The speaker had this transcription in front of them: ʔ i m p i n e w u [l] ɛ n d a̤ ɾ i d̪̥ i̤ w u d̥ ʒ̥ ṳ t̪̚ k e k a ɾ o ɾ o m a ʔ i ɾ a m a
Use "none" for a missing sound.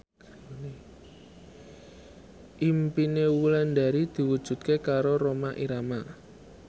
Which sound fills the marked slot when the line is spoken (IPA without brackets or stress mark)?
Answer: l